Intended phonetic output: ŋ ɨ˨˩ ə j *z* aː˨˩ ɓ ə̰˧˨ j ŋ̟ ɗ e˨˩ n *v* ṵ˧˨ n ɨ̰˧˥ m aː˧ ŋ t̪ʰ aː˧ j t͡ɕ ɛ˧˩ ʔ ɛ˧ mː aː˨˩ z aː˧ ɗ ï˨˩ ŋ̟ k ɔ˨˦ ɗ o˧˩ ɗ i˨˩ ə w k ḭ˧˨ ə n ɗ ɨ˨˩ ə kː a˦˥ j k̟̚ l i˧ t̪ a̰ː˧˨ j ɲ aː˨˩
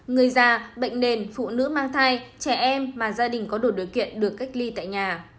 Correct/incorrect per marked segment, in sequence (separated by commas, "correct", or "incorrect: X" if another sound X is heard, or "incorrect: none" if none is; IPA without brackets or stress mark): correct, incorrect: f